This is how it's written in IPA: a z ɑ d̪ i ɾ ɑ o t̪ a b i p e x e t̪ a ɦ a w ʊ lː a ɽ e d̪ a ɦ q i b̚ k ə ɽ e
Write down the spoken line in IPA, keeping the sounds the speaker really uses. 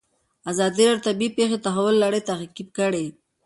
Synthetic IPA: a z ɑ d̪ i ɾ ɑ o t̪ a b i p e x e t̪ a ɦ a w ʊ lː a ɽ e t̪ a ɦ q i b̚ k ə ɽ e